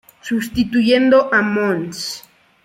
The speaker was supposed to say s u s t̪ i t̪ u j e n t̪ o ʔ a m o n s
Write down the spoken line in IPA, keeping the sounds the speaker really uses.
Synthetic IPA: s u s t̪ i t̪ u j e n d̪ o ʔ a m o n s